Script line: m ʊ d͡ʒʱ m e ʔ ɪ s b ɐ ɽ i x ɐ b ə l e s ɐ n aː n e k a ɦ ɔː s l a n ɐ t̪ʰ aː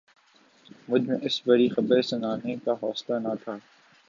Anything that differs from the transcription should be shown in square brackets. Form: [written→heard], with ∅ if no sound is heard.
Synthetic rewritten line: m ʊ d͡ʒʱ m [e→ẽ] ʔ ɪ s b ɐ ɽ i x ɐ b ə [l→ɾ] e s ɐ n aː n e k a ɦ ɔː s l a n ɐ t̪ʰ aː